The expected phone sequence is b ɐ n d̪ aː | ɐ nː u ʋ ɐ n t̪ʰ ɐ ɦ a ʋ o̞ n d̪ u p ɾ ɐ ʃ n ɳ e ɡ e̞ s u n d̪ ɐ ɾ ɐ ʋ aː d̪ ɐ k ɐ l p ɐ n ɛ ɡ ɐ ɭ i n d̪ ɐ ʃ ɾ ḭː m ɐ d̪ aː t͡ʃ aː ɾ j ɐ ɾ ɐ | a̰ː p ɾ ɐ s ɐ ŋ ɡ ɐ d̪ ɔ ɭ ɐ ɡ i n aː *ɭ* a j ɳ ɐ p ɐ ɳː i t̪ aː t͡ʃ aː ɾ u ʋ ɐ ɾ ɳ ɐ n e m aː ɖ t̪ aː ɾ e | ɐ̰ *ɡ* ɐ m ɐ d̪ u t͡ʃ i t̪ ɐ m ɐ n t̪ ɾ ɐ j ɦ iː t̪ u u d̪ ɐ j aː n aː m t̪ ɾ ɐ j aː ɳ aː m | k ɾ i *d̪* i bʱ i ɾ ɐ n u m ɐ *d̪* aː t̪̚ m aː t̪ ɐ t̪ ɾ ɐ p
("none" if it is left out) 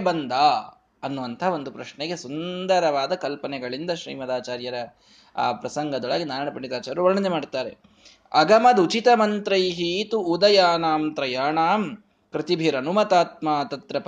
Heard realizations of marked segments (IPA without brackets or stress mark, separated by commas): ɾ, ɡ, t̪, t̪